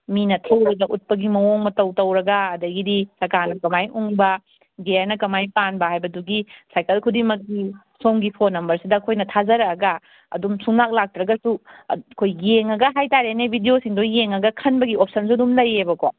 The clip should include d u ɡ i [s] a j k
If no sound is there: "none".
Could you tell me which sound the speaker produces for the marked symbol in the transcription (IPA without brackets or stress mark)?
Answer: s